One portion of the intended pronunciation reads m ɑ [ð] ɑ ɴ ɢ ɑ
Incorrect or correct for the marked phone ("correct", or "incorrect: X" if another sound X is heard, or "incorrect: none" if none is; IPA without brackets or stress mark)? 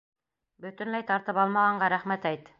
incorrect: ʁ